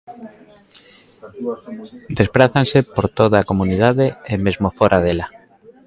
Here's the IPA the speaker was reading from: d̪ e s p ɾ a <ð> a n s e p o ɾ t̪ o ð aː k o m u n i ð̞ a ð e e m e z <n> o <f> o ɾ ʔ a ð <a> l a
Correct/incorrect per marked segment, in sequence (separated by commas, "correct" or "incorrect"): incorrect, incorrect, correct, incorrect